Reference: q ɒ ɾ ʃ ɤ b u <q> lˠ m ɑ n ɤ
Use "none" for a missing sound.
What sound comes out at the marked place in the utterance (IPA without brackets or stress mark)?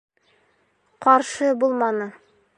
none